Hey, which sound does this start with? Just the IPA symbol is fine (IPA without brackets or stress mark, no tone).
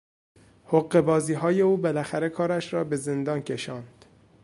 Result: h